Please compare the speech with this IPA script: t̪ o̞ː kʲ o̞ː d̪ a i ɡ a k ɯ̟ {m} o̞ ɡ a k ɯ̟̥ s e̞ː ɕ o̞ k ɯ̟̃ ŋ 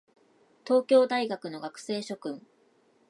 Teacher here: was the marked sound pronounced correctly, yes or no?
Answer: no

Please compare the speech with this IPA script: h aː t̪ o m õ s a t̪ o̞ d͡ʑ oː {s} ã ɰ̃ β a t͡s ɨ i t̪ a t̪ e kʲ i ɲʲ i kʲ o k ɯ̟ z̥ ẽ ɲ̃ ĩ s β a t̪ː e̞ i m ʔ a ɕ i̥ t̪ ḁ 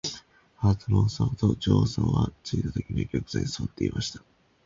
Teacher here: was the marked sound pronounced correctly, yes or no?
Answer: yes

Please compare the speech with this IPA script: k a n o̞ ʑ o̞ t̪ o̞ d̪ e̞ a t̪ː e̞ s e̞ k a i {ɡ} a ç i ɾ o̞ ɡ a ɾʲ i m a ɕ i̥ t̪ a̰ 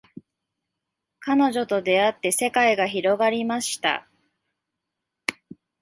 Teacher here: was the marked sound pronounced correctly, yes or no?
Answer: yes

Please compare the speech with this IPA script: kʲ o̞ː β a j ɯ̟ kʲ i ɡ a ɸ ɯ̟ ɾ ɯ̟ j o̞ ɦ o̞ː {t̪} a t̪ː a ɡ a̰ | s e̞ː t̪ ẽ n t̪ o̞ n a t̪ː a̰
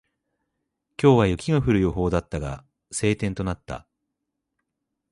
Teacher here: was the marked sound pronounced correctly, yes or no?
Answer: no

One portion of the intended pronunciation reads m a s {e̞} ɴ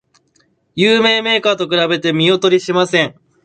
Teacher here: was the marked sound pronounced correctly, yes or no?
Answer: no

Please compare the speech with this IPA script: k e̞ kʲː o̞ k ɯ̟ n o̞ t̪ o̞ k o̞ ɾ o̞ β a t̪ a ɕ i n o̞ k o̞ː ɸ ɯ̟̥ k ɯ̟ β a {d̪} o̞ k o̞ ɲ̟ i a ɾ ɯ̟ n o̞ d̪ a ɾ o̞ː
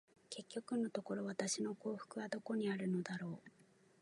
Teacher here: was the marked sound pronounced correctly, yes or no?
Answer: yes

